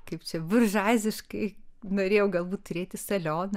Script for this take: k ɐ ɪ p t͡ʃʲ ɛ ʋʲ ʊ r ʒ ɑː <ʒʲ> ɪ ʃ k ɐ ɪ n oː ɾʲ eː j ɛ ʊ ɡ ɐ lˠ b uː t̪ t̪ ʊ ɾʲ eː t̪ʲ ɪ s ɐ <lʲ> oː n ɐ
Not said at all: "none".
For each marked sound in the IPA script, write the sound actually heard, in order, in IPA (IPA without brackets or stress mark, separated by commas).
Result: zʲ, lʲ